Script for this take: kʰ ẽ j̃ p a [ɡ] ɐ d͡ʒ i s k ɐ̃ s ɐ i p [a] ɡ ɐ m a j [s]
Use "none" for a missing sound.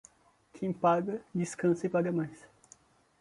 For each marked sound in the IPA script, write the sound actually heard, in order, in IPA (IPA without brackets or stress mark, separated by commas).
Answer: ɡ, a, s